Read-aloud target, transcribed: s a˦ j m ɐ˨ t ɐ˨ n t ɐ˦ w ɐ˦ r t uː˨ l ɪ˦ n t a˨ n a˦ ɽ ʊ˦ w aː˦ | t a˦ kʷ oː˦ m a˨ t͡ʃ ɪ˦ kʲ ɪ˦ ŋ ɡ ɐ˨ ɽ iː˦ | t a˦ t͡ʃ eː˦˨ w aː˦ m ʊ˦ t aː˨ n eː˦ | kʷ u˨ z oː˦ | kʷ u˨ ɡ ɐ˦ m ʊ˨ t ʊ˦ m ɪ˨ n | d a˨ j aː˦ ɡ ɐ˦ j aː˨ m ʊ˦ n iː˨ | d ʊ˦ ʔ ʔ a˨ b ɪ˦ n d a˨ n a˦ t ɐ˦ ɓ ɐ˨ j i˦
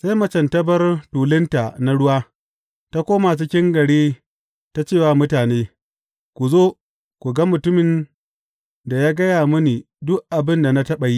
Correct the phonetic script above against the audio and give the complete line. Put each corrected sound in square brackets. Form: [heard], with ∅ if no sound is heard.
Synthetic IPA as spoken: s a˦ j m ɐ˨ [t͡ʃ] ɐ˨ n t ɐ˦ [b] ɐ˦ r t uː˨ l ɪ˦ n t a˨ n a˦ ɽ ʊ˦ w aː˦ | t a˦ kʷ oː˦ m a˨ t͡ʃ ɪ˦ kʲ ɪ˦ ŋ ɡ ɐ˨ ɽ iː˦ | t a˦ t͡ʃ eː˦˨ w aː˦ m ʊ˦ t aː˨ n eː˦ | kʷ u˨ z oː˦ | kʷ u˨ ɡ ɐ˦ m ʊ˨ t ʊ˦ m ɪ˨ n | d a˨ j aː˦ ɡ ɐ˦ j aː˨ m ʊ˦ n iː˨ | d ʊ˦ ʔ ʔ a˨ b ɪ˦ n d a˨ n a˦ t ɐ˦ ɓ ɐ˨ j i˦